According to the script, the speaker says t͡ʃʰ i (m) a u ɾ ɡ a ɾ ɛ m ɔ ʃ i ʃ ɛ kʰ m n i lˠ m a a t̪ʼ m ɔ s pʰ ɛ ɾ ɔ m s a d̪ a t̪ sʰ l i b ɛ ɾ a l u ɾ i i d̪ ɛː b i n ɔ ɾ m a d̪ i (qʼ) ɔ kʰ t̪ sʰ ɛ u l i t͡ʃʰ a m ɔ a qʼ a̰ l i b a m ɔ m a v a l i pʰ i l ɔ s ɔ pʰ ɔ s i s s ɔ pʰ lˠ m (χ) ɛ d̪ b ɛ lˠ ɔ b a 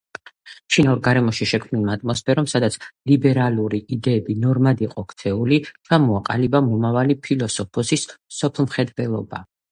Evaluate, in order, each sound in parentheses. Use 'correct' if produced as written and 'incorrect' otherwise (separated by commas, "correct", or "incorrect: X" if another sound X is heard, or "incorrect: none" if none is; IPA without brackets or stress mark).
incorrect: n, correct, correct